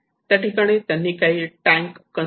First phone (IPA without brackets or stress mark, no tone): t̪